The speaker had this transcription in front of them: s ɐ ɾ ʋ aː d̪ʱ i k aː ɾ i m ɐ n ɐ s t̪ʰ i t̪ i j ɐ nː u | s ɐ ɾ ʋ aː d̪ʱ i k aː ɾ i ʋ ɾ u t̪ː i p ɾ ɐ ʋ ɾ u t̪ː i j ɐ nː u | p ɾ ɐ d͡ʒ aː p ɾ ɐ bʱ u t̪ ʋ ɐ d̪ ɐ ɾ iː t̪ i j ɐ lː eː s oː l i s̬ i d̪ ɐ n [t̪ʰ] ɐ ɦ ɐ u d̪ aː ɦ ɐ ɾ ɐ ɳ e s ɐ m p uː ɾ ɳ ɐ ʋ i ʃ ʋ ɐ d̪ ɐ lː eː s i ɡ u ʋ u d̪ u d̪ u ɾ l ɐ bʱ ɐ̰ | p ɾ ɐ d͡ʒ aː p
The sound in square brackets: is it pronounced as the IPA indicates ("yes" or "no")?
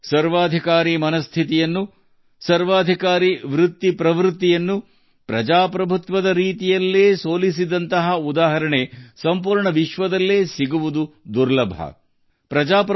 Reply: no